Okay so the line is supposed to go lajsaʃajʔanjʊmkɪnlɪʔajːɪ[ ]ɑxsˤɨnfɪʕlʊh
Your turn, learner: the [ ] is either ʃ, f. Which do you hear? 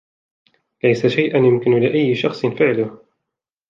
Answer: ʃ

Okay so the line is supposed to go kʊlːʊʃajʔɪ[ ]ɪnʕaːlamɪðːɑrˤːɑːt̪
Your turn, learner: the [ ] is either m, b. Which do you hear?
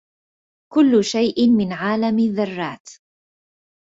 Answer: m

